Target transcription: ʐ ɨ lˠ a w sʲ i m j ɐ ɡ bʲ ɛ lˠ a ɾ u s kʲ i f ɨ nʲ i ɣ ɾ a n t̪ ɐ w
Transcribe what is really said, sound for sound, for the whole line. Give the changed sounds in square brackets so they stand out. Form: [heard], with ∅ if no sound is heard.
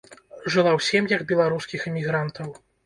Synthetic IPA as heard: ʐ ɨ lˠ a w sʲ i m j ɐ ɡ bʲ ɛ lˠ a ɾ u s kʲ i [x] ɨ [mʲ] i ɣ ɾ a n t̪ ɐ w